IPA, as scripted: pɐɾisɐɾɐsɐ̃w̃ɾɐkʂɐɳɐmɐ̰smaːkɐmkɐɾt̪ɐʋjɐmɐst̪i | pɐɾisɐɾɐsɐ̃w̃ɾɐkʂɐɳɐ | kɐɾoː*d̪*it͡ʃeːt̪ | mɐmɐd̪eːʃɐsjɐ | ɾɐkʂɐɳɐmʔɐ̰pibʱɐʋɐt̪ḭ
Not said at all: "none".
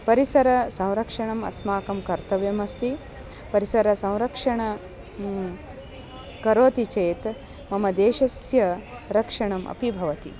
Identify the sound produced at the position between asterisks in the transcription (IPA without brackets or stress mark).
t̪